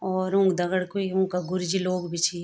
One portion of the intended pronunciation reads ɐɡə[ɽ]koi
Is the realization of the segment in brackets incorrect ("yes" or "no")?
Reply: no